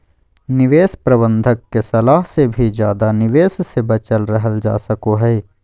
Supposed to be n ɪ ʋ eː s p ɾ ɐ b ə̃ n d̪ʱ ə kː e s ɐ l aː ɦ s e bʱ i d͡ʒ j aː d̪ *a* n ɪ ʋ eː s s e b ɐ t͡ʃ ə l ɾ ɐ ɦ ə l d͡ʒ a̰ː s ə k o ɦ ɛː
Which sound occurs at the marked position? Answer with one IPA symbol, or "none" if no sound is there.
a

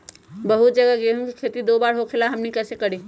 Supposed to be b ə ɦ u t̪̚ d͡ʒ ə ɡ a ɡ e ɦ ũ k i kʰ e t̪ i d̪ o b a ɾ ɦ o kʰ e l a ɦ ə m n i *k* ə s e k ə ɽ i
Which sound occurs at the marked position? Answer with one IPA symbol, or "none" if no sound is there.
k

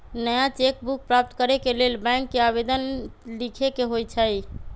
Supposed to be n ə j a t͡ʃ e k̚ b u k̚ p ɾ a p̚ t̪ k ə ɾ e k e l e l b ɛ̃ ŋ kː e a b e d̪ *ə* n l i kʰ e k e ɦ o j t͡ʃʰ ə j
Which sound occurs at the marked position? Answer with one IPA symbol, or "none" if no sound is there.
ə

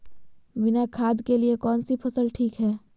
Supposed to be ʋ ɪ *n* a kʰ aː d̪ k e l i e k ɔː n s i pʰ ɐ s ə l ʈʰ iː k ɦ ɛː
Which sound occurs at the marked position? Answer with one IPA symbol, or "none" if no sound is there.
n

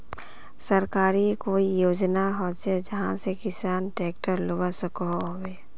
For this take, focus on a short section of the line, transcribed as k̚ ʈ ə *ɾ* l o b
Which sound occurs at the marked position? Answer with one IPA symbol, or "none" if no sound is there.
ɾ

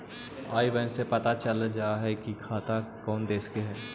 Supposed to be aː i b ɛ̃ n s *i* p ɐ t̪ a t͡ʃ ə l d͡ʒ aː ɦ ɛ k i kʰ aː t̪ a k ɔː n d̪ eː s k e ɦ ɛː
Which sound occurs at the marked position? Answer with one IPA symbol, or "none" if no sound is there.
e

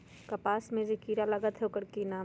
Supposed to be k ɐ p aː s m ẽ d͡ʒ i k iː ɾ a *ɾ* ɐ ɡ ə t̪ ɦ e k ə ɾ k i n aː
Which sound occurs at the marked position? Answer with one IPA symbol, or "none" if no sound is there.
l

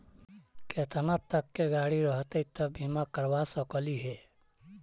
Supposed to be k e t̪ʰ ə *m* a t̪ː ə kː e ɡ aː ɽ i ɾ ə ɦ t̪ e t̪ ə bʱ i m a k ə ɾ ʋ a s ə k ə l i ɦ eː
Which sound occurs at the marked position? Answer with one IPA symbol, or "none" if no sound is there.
n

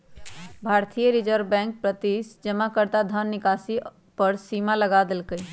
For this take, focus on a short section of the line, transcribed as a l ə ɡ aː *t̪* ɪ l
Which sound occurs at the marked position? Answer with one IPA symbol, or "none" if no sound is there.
d̪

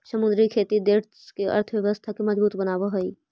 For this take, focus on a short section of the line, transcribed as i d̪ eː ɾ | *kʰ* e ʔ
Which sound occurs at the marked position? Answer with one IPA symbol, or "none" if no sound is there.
k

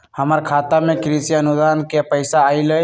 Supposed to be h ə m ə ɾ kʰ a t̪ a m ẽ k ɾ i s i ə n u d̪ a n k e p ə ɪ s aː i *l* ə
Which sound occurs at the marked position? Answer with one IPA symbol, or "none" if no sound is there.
l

